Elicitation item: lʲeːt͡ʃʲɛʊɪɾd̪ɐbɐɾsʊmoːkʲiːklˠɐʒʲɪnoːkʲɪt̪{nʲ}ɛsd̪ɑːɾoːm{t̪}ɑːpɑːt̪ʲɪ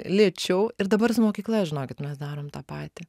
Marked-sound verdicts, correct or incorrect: incorrect: mʲ, correct

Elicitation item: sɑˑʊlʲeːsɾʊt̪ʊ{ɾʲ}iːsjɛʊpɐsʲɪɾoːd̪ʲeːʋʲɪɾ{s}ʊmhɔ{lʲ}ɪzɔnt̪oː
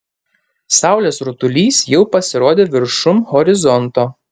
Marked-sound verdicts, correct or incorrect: incorrect: lʲ, incorrect: ʃ, incorrect: ɾʲ

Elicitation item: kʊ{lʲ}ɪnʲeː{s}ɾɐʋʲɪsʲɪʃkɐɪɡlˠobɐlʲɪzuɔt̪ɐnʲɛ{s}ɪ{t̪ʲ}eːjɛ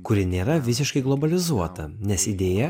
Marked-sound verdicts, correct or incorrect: incorrect: ɾʲ, incorrect: none, correct, incorrect: d̪ʲ

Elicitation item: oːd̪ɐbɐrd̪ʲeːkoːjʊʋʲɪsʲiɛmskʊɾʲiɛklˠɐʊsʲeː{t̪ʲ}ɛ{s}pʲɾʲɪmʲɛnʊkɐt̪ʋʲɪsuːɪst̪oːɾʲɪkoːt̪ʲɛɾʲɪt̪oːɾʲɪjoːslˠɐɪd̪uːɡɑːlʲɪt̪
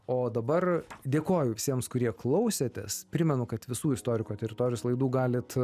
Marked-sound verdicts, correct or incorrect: correct, correct

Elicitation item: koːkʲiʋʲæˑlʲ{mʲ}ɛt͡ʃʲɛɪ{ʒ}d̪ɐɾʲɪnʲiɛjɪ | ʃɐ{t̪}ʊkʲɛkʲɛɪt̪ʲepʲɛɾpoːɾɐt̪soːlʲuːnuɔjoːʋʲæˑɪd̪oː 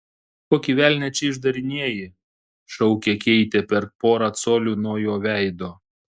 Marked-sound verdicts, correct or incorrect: incorrect: nʲ, correct, incorrect: none

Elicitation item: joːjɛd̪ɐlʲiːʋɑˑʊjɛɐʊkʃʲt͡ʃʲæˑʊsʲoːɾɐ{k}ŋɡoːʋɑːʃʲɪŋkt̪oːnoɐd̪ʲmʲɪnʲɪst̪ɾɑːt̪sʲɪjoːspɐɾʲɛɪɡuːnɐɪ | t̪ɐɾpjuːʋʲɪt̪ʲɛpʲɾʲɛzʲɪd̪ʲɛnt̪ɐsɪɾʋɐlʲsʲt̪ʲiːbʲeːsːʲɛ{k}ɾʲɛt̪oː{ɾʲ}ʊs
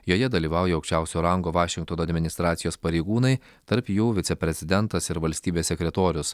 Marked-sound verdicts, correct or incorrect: incorrect: none, correct, correct

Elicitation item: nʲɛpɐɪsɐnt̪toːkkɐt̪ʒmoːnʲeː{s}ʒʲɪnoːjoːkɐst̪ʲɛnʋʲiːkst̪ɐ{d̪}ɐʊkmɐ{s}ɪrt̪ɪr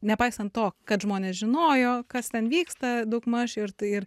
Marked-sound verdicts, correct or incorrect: correct, correct, incorrect: ʃ

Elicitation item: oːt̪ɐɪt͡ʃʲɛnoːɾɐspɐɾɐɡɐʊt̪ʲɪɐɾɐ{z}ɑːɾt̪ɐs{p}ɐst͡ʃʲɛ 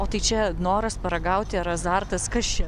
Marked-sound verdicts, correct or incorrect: correct, incorrect: k

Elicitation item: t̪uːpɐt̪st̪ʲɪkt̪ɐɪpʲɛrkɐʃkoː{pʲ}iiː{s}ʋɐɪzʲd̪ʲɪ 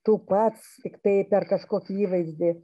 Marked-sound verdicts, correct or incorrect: incorrect: kʲ, incorrect: none

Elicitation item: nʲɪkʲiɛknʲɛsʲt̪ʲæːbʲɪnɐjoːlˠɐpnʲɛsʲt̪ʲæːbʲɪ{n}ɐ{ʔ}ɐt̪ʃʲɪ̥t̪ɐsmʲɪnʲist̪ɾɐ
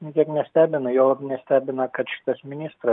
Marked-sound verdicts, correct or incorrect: correct, incorrect: k

